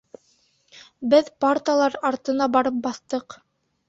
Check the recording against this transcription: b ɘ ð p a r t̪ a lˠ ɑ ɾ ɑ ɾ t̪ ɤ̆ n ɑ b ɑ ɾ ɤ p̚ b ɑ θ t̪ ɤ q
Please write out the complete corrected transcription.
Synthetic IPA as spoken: b ɘ ð p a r t̪ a lˠ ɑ ɾ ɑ ɾ t̪ ɤ̆ n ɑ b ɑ ɾ ɤ p̚ b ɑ θ t̪ ɤ q